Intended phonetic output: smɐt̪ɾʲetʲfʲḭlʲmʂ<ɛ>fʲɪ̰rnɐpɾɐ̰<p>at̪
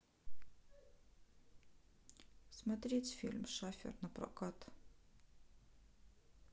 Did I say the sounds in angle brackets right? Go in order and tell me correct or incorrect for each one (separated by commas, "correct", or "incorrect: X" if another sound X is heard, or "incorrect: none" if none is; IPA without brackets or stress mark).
incorrect: a, incorrect: k